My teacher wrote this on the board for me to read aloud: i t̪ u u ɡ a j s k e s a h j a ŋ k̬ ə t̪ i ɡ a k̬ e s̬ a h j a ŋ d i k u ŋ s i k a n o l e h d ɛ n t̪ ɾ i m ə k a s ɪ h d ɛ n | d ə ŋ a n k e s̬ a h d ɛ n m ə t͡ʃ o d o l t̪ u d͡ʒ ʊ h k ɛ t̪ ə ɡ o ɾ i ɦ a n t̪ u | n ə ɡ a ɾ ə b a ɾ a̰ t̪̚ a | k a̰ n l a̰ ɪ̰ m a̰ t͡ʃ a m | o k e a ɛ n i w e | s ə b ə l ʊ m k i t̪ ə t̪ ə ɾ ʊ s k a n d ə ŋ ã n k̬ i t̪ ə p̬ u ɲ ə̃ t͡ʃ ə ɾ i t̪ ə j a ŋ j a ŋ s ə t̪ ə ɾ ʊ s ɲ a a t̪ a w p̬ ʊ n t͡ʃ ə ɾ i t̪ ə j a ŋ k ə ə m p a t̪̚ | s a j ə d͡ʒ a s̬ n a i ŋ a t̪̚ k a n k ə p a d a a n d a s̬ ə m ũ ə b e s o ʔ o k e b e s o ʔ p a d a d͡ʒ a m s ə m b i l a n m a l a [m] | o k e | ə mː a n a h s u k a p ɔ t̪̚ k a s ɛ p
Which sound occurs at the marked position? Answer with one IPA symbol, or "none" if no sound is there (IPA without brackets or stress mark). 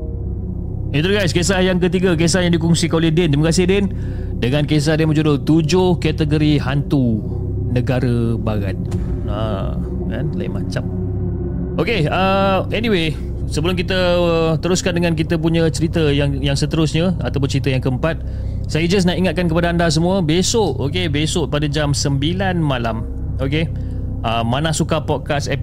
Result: m